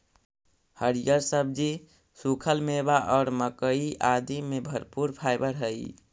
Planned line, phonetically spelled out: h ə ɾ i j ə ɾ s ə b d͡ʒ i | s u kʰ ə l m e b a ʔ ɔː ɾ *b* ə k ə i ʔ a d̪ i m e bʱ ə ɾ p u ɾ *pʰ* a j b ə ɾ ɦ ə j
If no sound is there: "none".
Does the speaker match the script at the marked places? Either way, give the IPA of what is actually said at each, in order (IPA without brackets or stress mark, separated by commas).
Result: m, pʰ